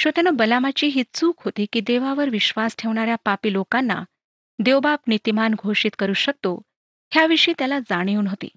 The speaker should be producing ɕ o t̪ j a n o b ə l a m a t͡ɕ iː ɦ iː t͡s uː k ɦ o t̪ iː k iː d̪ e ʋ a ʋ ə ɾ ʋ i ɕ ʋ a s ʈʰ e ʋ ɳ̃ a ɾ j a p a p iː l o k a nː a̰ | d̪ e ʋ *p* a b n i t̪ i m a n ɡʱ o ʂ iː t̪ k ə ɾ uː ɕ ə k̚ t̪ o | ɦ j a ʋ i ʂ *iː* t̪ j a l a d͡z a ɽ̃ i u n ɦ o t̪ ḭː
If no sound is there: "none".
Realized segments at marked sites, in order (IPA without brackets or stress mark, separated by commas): b, iː